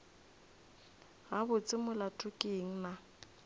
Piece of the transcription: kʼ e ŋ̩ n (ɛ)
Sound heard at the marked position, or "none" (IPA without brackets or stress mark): a